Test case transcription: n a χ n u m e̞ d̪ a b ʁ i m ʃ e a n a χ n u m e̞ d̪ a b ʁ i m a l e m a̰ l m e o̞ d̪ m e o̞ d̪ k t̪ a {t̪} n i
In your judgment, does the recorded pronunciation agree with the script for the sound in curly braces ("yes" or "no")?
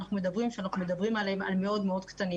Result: no